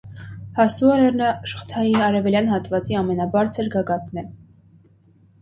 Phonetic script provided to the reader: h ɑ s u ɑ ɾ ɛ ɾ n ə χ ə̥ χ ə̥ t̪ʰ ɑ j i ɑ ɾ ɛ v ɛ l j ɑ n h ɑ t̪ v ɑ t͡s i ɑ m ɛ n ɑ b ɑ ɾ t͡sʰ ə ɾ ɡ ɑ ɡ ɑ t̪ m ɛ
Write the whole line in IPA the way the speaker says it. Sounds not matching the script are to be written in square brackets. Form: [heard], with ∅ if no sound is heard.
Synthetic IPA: h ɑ s u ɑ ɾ ɛ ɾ n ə [ʃ] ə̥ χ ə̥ t̪ʰ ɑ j i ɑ ɾ ɛ v ɛ l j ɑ n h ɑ t̪ v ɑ t͡s i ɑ m ɛ n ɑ b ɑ ɾ t͡sʰ ə ɾ ɡ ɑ ɡ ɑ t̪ [n] ɛ